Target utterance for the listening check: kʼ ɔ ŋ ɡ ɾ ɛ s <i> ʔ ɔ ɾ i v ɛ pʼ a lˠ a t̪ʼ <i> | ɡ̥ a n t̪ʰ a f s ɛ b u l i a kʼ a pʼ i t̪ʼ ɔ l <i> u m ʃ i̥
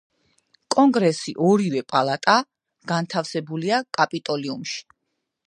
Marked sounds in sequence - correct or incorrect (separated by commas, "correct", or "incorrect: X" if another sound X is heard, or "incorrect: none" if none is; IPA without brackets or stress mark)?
correct, incorrect: a, correct